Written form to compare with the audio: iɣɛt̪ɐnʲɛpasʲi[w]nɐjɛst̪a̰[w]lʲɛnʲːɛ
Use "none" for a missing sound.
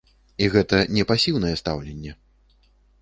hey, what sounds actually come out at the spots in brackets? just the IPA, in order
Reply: w, w

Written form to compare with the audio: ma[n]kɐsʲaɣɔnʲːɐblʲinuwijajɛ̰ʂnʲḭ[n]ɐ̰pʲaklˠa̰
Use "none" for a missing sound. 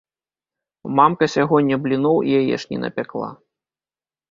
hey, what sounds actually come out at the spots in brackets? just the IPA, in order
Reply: m, n

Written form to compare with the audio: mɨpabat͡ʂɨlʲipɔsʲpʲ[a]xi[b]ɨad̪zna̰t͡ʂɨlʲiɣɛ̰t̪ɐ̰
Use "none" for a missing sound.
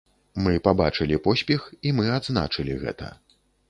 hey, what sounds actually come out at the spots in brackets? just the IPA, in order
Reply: ɛ, m

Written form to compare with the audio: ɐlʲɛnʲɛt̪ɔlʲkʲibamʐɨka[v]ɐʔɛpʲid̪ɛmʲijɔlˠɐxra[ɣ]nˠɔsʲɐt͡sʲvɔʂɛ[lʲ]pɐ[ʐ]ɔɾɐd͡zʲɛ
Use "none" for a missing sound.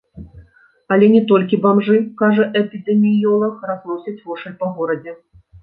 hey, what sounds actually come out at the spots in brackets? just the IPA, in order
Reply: ʐ, z, lʲ, ɣ

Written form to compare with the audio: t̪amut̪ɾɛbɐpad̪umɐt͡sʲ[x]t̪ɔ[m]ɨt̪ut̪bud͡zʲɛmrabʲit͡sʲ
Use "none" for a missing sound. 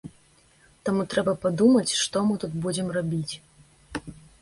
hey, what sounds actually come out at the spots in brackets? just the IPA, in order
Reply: ʂ, m

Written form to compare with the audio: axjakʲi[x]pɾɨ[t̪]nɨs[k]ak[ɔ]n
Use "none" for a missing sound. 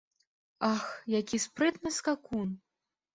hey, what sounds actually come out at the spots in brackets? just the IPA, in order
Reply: s, t̪, k, u

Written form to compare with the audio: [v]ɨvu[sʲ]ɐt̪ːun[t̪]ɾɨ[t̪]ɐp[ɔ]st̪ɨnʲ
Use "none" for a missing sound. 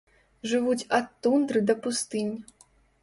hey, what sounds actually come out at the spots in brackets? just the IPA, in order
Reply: ʐ, t͡sʲ, d̪, d̪, u

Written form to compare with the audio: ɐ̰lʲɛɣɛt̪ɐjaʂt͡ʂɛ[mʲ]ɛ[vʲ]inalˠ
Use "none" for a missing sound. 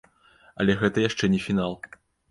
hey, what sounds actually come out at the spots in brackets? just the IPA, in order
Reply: nʲ, fʲ

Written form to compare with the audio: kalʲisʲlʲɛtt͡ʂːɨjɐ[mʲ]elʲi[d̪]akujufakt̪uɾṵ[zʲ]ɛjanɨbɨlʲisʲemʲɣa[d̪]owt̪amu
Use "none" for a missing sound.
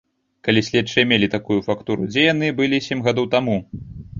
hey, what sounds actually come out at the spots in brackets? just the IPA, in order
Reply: mʲ, t̪, d͡zʲ, d̪

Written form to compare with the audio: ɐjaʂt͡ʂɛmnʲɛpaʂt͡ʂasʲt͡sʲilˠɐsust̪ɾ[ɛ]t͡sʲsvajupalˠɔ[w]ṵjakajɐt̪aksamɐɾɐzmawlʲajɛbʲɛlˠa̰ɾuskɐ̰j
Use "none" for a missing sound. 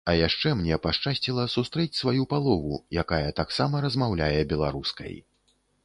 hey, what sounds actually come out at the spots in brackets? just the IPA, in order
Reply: ɛ, v

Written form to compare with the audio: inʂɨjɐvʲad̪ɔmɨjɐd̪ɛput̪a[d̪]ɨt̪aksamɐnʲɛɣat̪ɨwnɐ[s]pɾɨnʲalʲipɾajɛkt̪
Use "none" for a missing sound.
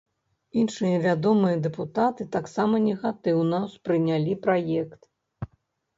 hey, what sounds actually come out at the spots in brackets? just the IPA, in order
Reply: t̪, s

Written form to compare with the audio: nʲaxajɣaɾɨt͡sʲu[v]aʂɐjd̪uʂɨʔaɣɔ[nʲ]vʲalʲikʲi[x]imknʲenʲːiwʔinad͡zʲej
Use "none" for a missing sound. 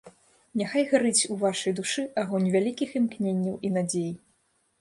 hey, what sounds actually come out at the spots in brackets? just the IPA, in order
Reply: v, nʲ, x

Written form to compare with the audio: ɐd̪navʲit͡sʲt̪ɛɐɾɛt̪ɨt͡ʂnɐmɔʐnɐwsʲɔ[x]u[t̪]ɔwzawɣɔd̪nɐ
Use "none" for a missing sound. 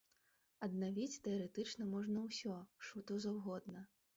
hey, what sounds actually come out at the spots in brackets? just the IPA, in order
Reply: ʂ, t̪

